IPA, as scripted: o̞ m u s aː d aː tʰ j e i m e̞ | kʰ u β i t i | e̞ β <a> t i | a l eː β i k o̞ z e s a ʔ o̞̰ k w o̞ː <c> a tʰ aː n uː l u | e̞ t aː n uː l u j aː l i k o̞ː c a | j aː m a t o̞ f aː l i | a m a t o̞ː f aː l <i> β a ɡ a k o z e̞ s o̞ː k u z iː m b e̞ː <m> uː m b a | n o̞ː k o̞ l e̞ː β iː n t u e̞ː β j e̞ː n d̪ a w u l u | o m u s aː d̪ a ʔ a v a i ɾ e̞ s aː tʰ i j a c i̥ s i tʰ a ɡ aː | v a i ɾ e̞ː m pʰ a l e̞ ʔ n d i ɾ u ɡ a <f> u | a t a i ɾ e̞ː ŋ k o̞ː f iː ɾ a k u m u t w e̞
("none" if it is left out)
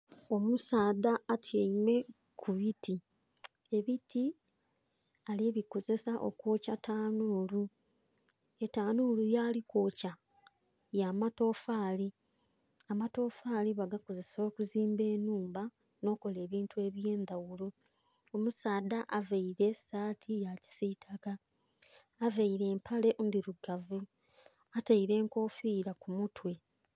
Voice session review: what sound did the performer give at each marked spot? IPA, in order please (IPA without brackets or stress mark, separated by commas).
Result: i, c, i, n, v